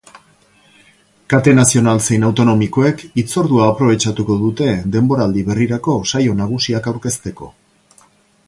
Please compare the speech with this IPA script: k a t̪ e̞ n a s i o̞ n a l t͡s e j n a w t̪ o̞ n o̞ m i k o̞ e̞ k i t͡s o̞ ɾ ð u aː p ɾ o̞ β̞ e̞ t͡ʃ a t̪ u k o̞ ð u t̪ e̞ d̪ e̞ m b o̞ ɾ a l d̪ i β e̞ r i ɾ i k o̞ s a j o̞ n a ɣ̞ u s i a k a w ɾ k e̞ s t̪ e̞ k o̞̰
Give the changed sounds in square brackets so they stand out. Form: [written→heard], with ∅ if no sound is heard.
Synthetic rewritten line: k a t̪ e̞ n a s i o̞ n a l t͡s e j n a w t̪ o̞ n o̞ m i k o̞ e̞ k i t͡s o̞ ɾ ð u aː p ɾ o̞ β̞ e̞ t͡ʃ a t̪ u k o̞ ð u t̪ e̞ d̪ e̞ m b o̞ ɾ a l d̪ i β e̞ r i ɾ [i→a] k o̞ s a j o̞ n a ɣ̞ u s i a k a w ɾ k e̞ s t̪ e̞ k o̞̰